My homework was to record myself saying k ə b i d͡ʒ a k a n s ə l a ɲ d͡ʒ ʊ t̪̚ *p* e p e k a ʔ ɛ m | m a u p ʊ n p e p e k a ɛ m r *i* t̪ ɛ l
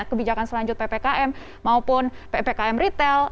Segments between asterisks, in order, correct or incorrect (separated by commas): correct, correct